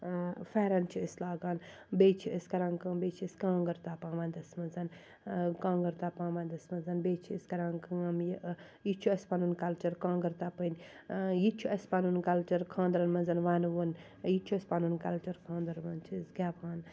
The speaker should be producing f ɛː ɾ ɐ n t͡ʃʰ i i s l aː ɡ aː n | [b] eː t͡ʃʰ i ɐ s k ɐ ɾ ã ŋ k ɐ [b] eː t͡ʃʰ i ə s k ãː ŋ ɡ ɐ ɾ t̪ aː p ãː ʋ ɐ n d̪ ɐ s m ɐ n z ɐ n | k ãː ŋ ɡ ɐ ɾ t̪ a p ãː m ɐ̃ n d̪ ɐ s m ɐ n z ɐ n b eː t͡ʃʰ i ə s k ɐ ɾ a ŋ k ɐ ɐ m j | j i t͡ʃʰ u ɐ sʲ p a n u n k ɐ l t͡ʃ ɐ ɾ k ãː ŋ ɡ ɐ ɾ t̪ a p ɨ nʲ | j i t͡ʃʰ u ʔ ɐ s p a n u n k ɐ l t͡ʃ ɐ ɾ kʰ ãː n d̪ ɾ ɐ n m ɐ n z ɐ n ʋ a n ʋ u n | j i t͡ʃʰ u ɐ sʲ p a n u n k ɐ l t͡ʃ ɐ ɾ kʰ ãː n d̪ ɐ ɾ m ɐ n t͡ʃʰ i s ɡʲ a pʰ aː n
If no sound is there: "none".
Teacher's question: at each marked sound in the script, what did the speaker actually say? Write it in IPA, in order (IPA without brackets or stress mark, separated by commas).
b, b